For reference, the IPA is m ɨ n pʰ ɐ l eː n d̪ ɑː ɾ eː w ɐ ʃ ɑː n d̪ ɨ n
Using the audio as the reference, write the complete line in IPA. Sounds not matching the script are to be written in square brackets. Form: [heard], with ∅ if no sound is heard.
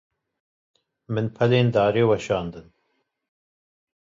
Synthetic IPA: m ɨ n pʰ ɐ l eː n d̪ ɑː ɾ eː w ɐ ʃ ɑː n d̪ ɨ n